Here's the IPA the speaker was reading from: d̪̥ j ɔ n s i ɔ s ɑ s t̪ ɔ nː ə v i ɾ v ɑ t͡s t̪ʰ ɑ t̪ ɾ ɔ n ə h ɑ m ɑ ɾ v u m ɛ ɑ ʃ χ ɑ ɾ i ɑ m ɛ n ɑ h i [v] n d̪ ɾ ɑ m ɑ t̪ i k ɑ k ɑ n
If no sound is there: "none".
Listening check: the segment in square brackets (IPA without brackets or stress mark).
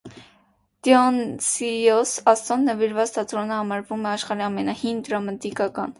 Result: none